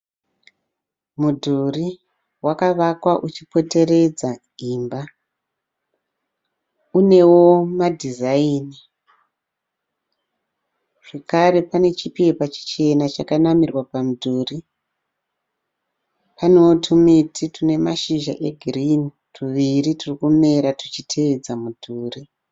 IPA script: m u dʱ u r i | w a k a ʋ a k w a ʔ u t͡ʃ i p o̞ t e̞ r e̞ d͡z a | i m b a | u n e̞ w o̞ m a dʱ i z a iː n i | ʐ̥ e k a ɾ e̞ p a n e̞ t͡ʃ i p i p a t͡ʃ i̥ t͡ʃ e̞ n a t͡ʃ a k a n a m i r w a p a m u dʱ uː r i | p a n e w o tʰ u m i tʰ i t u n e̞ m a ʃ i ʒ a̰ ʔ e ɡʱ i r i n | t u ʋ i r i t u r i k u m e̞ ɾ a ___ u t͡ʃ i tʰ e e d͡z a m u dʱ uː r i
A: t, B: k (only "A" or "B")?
A